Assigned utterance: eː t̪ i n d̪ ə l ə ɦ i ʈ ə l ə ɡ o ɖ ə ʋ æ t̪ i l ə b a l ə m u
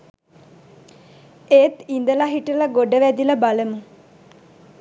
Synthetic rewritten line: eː t̪ i n d̪ ə l a ɦ i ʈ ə l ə ɡ o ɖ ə ʋ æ d̪ i l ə b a l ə m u